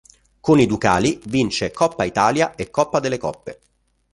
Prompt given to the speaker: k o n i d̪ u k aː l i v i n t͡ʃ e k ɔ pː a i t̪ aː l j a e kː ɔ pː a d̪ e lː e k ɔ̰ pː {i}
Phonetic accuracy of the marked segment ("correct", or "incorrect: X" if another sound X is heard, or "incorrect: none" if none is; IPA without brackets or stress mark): incorrect: e